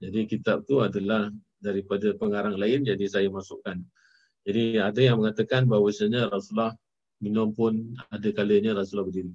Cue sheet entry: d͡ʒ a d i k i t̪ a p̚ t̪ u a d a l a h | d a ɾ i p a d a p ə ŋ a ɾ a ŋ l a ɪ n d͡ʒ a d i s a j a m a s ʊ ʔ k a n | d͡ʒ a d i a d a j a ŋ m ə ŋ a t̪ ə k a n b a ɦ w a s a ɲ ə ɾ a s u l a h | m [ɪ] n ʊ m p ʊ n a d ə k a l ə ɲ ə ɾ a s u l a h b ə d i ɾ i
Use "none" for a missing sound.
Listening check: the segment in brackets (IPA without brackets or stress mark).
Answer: i